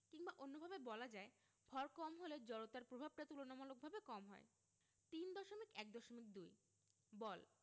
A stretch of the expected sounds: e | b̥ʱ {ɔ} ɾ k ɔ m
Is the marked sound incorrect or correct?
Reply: correct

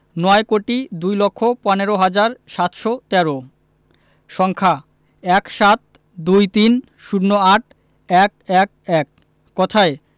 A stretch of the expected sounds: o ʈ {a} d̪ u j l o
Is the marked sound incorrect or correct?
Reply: incorrect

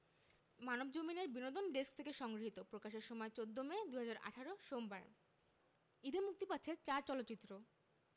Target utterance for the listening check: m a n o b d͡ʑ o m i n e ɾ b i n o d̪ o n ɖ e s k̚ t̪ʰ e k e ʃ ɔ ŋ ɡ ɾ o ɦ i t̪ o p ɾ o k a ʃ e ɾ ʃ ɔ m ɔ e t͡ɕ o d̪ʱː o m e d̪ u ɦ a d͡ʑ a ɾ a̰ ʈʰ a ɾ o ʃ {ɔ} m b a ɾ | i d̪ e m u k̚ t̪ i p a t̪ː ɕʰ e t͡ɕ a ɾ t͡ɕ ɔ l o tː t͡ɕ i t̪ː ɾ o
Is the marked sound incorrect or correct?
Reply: incorrect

